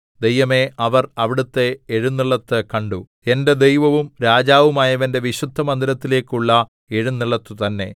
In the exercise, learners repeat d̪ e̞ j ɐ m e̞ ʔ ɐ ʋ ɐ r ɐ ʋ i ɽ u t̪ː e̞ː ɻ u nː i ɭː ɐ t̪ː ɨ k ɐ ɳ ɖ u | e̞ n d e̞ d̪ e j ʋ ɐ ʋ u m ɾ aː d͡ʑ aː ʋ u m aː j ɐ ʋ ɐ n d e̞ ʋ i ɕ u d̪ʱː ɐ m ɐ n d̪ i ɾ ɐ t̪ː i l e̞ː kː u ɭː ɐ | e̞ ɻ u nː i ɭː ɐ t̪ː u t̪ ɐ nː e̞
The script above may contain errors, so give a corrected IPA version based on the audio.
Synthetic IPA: d̪ e̞ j ɐ m e̞ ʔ ɐ ʋ ɐ r ɐ ʋ i ɽ u t̪ː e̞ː ɻ u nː i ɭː ɐ t̪ː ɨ k ɐ ɳ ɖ u | e̞ n d e̞ d̪ e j ʋ ɐ ʋ u m ɾ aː d͡ʑ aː ʋ u m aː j ɐ ʋ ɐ n d e̞ ʋ i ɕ u d̪ʱː ɐ m ɐ n d̪ i ɾ ɐ t̪ː i l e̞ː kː u ɭː ɐ | e̞ ɻ u nː i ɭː ɐ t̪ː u t̪ ɐ nː e̞

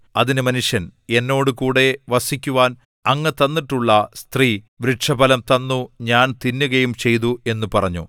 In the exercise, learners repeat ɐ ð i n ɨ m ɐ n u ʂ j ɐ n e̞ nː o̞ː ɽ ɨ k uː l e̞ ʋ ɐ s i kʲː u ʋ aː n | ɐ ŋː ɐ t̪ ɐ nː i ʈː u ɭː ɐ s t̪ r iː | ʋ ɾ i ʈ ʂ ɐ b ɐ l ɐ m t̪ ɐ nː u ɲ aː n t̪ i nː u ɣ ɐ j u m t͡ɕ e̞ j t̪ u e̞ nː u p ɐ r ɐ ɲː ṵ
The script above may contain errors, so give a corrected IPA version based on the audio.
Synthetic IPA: ɐ ð i n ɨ m ɐ n u ʂ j ɐ n e̞ nː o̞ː ɽ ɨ k uː ɽ e̞ ʋ ɐ s i kʲː u ʋ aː n | ɐ ŋː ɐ t̪ ɐ nː i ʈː u ɭː ɐ s t̪ r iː | ʋ ɾ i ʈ ʂ ɐ b ɐ l ɐ m t̪ ɐ nː u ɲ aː n t̪ i nː u ɣ ɐ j u m t͡ɕ e̞ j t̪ u e̞ nː u p ɐ r ɐ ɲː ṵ

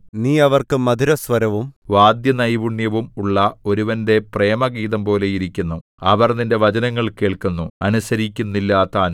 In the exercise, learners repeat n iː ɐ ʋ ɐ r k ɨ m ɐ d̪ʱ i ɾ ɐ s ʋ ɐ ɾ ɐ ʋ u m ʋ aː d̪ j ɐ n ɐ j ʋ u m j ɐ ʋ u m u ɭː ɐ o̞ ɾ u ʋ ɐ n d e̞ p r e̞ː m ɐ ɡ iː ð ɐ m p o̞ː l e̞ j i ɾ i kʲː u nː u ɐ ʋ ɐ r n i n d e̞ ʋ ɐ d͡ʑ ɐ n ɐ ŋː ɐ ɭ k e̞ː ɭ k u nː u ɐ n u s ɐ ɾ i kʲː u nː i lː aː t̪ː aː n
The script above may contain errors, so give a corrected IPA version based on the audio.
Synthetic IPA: n iː ɐ ʋ ɐ r k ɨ m ɐ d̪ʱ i ɾ ɐ s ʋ ɐ ɾ ɐ ʋ u m ʋ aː d̪ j ɐ n ɐ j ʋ u ɳ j ɐ ʋ u m u ɭː ɐ o̞ ɾ u ʋ ɐ n d e̞ p r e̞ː m ɐ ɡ iː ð ɐ m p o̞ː l e̞ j i ɾ i kʲː u nː u ɐ ʋ ɐ r n i n d e̞ ʋ ɐ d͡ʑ ɐ n ɐ ŋː ɐ ɭ k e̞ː ɭ k u nː u ɐ n u s ɐ ɾ i kʲː u nː i lː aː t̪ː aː n

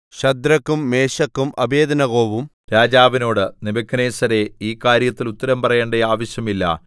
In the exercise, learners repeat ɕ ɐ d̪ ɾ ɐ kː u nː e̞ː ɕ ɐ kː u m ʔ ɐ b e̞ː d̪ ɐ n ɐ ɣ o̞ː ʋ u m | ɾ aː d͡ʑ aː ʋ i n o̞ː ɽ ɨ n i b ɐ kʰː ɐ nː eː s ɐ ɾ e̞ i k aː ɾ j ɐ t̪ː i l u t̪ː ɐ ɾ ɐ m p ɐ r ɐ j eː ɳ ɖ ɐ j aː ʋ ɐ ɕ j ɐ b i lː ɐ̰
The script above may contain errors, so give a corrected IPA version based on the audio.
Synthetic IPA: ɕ ɐ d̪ ɾ ɐ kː u mː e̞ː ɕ ɐ kː u m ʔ ɐ b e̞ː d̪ ɐ n ɐ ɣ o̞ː ʋ u m | ɾ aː d͡ʑ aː ʋ i n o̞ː ɽ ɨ n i b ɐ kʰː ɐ n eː s ɐ ɾ e̞ iː k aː ɾ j ɐ t̪ː i l u t̪ː ɐ ɾ ɐ m p ɐ r ɐ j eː ɳ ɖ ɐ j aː ʋ ɐ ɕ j ɐ m i lː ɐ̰

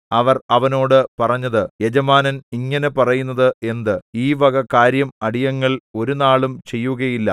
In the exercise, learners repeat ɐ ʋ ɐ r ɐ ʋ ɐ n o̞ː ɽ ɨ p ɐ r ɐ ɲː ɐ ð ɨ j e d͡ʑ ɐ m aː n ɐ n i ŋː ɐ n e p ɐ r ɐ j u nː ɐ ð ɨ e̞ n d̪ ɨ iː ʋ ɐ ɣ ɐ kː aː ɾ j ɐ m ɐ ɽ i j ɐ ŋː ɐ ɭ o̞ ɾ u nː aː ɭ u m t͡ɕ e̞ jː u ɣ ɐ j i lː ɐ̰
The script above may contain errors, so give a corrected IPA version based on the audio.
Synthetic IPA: ɐ ʋ ɐ r ɐ ʋ ɐ n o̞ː ɽ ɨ p ɐ r ɐ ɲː ɐ ð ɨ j e d͡ʑ ɐ m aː n ɐ n i ŋː ɐ n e p ɐ r ɐ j u nː ɐ ð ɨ e̞ n d̪ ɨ iː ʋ ɐ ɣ ɐ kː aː ɾ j ɐ m ɐ ɽ i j ɐ ŋː ɐ ɭ o̞ ɾ u n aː ɭ u m t͡ɕ e̞ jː u ɣ ɐ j i lː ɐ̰

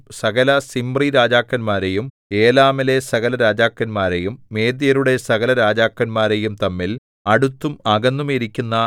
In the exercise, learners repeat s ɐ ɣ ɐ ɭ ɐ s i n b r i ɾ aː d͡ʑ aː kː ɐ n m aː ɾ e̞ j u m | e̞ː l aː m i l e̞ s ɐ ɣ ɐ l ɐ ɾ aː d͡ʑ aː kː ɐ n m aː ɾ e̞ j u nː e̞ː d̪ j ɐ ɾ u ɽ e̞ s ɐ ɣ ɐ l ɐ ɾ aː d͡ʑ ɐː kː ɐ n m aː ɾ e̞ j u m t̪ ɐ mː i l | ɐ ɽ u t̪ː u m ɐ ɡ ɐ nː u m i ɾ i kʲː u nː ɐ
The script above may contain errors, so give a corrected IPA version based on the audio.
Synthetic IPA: s ɐ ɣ ɐ l ɐ s i m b r i ɾ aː d͡ʑ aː kː ɐ n m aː ɾ e̞ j u m | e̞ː l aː m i l e̞ s ɐ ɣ ɐ l ɐ ɾ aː d͡ʑ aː kː ɐ n m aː ɾ e̞ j u mː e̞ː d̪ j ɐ ɾ u ɽ e̞ s ɐ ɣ ɐ l ɐ ɾ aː d͡ʑ aː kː ɐ n m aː ɾ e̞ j u m t̪ ɐ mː i l | ɐ ɽ u t̪ː u m ɐ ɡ ɐ nː u m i ɾ i kʲː u nː ɐ

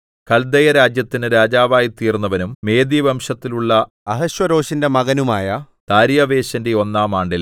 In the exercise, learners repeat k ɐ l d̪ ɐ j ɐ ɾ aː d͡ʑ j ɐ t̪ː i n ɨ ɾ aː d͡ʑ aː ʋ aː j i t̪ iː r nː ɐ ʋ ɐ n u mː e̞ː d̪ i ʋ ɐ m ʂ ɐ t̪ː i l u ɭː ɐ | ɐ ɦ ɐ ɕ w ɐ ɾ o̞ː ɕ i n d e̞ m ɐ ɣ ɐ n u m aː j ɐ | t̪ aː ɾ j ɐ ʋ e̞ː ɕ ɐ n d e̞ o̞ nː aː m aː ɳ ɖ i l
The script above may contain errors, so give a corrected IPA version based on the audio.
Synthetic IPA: k ɐ l d̪ ɐ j ɐ ɾ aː d͡ʑ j ɐ t̪ː i n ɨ ɾ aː d͡ʑ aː ʋ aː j i t̪ iː r nː ɐ ʋ ɐ n u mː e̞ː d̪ i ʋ ɐ m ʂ ɐ t̪ː i l u ɭː ɐ | ɐ ɦ ɐ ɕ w ɐ ɾ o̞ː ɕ i n d e̞ m ɐ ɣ ɐ n u m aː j ɐ | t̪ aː ɾ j ɐ ʋ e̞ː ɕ ɐ n d e̞ o̞ nː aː m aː ɳ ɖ i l

